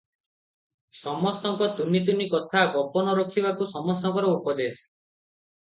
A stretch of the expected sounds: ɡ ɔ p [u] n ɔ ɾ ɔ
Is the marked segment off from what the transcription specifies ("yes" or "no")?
yes